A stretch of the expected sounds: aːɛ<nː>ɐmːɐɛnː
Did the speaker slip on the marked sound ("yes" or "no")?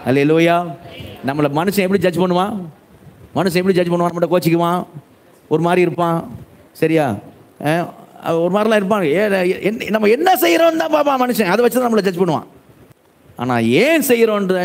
yes